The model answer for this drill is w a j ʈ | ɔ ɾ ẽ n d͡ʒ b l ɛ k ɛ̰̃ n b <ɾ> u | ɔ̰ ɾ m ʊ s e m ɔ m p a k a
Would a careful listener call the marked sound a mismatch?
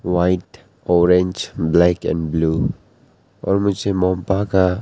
yes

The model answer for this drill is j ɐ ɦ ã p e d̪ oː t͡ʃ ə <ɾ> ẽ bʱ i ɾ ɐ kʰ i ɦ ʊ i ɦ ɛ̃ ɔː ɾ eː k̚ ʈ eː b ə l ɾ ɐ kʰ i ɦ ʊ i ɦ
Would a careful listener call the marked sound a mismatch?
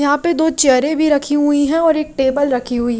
no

